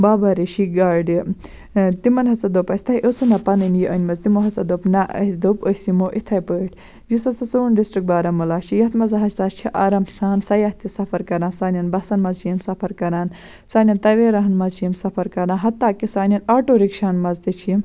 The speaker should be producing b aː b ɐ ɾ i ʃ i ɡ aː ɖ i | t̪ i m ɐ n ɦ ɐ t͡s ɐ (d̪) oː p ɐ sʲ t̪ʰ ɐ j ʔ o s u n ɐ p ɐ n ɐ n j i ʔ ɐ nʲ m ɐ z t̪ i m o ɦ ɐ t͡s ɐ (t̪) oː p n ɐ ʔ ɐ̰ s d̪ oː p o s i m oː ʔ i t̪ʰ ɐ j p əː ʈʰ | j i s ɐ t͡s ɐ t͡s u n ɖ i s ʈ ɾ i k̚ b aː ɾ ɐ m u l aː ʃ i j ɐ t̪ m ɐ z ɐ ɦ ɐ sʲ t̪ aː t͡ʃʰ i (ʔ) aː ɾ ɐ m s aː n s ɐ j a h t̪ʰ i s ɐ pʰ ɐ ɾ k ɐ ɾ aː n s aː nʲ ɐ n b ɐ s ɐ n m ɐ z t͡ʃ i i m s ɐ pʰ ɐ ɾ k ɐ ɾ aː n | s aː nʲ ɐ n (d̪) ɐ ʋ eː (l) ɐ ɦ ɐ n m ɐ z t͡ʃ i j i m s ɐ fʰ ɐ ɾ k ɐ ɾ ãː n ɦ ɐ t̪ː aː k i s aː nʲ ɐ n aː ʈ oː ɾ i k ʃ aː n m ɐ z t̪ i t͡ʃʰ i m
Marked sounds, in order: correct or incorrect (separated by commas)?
correct, incorrect, correct, incorrect, incorrect